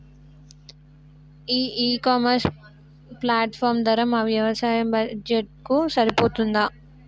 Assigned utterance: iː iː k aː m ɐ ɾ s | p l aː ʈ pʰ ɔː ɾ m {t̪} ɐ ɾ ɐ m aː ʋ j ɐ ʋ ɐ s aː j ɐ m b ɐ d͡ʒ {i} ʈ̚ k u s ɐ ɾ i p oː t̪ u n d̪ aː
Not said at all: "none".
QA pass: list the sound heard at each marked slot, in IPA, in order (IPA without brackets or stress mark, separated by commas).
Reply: d̪, e